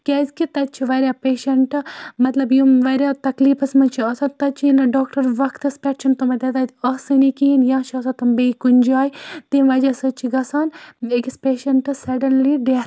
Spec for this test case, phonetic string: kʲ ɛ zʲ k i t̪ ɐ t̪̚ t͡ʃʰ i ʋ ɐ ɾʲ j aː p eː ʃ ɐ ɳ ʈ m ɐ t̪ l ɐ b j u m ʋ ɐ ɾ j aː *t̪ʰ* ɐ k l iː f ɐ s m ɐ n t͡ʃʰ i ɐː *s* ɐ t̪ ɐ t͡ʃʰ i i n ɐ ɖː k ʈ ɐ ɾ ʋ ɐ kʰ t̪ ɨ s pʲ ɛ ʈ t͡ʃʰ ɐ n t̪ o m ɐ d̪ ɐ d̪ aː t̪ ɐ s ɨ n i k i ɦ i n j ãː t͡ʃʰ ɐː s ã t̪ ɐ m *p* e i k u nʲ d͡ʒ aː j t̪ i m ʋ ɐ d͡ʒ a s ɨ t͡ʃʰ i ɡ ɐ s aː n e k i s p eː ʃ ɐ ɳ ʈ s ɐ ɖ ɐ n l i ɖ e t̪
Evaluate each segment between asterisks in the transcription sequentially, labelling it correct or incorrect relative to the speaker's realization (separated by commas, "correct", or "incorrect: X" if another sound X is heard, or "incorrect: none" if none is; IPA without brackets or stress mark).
incorrect: t̪, correct, incorrect: b